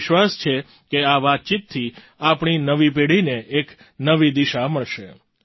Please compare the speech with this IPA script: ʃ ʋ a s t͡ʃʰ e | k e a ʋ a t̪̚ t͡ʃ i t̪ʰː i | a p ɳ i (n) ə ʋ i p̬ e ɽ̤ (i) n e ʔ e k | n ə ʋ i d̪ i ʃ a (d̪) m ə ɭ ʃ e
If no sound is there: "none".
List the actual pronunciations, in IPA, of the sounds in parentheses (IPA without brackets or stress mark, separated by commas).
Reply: n, i, none